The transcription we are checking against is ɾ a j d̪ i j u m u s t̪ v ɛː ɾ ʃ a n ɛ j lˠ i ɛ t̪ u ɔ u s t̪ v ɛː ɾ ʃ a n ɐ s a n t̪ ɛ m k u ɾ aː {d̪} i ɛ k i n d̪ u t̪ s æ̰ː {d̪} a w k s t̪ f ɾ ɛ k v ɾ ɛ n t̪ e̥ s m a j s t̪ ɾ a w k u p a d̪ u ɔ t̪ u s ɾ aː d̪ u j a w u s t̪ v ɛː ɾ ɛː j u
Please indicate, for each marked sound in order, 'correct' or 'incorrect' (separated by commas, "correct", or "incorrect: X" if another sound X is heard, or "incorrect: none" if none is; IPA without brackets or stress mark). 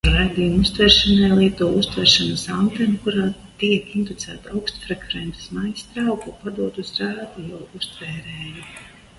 incorrect: t̪, incorrect: t̪